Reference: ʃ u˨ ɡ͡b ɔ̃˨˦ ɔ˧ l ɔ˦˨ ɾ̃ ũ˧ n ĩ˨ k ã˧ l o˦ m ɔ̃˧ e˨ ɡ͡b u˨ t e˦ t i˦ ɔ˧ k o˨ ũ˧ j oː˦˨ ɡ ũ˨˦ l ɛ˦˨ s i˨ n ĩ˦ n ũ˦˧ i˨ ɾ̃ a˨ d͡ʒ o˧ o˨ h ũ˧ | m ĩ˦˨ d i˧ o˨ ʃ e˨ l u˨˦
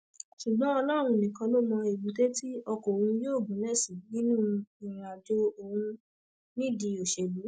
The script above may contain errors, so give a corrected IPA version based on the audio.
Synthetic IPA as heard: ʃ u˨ ɡ͡b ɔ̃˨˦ ɔ˧ l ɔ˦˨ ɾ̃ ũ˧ n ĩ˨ k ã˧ l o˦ m ɔ̃˧ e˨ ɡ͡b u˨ t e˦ t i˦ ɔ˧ k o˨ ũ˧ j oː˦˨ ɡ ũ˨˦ l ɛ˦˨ s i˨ n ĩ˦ n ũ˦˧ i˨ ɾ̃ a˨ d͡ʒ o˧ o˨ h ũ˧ | n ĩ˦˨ d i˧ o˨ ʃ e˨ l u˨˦

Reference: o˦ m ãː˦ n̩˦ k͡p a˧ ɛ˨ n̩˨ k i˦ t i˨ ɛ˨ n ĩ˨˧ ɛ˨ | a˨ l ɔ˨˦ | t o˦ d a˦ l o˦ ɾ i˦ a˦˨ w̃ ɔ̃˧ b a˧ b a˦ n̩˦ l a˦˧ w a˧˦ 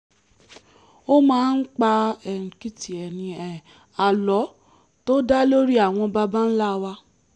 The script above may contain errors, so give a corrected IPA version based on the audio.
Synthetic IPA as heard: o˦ m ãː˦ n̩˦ k͡p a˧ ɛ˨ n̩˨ k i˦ t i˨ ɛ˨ n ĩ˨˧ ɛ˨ | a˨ l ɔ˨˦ | t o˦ d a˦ l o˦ ɾ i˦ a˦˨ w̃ ɔ̃˧ b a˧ b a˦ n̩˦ l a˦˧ w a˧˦

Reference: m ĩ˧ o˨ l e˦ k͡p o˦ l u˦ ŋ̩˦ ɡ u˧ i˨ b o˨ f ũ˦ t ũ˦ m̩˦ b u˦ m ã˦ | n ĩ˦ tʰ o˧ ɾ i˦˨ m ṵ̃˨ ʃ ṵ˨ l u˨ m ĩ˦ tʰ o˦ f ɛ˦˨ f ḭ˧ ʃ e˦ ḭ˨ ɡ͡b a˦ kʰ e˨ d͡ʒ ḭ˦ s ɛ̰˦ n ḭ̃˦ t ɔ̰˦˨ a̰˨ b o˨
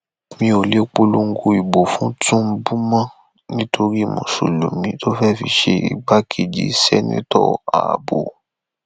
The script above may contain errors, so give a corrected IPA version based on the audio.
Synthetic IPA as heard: m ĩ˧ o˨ l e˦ k͡p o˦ l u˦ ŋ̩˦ ɡ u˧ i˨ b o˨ f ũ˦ t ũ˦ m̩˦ b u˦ m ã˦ | n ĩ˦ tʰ o˧ ɾ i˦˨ m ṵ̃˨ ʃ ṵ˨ l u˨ m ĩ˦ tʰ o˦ f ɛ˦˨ f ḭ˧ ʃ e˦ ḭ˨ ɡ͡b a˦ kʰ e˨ d͡ʒ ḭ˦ s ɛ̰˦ n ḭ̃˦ t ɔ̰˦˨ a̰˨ b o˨

